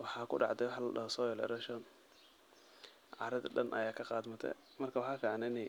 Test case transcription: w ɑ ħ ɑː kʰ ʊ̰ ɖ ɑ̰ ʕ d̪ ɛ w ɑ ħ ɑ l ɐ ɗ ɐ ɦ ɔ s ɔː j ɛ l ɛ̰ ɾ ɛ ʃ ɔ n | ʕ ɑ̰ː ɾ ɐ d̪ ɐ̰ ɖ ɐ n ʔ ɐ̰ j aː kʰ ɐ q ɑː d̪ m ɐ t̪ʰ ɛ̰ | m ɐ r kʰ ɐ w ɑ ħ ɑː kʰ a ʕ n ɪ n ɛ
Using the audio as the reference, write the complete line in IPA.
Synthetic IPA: w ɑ ħ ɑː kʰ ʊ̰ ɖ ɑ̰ ʕ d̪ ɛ w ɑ ħ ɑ l ɐ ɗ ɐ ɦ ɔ s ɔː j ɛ l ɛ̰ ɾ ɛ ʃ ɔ n | ʕ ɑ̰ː ɾ ɐ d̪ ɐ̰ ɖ ɐ n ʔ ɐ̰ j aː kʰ ɐ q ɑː d̪ m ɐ t̪ʰ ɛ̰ | m ɐ r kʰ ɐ w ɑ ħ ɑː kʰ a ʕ n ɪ n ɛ